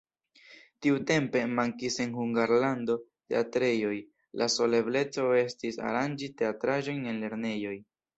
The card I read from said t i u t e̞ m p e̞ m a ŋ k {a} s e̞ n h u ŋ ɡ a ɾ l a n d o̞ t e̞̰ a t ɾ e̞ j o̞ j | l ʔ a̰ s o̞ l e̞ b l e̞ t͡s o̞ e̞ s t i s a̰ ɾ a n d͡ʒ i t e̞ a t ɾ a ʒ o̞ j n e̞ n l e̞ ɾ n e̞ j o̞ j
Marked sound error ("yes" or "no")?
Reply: yes